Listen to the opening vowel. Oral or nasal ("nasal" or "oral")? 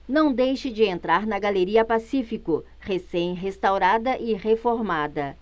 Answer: nasal